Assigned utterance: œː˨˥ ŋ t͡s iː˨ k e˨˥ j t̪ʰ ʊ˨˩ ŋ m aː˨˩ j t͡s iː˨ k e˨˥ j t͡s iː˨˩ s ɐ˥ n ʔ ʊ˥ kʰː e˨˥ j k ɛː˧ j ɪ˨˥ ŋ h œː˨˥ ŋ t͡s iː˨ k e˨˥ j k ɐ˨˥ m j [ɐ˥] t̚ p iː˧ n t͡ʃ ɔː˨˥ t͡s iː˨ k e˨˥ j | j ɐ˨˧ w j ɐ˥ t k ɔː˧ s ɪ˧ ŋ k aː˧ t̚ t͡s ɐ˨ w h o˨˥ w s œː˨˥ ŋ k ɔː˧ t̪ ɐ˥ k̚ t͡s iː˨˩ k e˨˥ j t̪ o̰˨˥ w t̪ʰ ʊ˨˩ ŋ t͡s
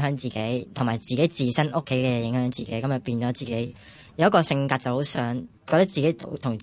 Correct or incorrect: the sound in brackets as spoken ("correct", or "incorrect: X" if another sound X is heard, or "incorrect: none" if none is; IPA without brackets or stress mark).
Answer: incorrect: ɐ˨